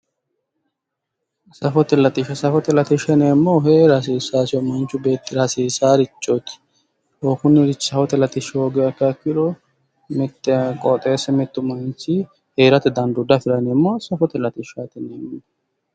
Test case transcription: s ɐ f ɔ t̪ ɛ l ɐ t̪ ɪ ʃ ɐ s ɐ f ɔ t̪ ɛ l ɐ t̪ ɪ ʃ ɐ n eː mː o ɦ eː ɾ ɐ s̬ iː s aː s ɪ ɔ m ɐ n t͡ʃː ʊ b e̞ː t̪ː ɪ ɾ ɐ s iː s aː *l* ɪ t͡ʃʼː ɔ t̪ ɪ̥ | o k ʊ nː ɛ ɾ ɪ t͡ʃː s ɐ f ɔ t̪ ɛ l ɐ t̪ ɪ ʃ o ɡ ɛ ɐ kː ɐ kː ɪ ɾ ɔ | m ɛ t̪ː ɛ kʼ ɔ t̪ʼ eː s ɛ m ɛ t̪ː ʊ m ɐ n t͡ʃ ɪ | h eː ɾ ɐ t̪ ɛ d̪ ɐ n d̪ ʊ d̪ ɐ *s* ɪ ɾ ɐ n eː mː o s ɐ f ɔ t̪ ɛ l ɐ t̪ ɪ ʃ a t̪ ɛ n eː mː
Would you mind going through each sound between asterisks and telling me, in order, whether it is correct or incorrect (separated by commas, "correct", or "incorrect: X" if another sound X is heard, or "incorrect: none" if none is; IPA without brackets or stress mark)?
incorrect: ɾ, incorrect: f